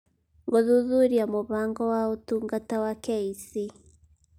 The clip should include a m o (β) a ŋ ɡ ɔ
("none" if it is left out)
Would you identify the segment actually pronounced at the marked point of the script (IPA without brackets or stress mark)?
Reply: β